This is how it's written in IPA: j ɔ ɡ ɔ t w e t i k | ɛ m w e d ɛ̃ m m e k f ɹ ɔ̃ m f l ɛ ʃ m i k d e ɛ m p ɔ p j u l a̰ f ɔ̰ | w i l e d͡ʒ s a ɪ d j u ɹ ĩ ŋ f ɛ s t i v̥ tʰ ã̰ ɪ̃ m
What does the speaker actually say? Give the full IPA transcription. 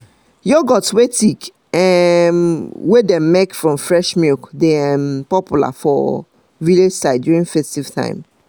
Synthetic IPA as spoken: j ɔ ɡ ɔ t w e t i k | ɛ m w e d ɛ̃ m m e k f ɹ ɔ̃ m f ɹ ɛ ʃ m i k d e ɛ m p ɔ p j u l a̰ f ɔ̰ | v i l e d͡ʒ s a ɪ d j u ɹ ĩ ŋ f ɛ s t i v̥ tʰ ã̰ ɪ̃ m